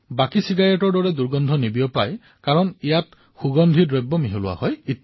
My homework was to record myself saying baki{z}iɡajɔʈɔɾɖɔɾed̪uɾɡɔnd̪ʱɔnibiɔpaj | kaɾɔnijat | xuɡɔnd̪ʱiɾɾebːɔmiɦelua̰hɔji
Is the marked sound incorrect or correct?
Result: incorrect